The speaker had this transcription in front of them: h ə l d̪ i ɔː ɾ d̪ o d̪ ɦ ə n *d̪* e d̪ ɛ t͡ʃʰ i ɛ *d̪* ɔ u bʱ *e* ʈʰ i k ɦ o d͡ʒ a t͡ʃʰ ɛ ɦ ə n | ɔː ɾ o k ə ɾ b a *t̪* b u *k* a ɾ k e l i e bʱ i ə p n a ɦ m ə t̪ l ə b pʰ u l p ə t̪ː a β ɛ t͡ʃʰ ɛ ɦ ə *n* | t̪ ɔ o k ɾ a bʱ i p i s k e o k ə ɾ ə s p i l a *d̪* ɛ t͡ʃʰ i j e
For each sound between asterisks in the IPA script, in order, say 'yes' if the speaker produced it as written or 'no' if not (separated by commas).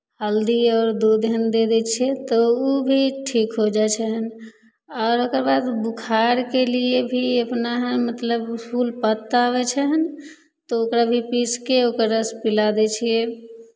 yes, no, no, no, no, yes, yes